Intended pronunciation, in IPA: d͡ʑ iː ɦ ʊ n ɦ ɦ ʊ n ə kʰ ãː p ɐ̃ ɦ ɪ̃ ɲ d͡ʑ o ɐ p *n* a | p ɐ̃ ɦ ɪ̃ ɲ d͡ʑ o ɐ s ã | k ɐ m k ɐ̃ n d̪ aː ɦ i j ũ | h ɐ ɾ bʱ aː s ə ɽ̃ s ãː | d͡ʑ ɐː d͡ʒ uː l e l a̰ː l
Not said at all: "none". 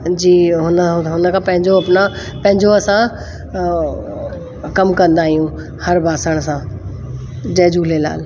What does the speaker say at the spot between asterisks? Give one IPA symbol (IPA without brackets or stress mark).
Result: n